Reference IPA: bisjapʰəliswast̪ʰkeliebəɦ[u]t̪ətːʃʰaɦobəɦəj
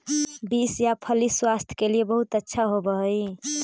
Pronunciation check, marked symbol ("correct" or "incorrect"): correct